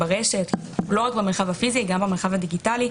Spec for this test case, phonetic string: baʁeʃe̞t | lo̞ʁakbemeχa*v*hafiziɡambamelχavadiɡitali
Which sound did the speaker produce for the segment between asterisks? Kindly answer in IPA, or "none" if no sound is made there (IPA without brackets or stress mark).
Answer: v